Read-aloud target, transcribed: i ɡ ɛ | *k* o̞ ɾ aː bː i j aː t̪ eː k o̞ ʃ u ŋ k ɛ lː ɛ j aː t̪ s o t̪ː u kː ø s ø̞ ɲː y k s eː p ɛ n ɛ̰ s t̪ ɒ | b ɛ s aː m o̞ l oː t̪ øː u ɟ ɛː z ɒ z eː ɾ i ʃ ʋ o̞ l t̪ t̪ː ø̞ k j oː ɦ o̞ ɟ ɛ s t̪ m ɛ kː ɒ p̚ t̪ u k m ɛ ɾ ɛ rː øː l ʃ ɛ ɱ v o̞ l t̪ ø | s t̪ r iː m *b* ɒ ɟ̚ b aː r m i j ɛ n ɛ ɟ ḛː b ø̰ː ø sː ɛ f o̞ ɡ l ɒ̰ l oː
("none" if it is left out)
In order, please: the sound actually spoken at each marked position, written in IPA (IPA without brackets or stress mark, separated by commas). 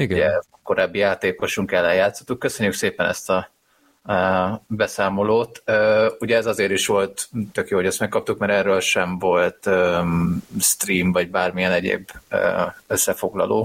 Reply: k, v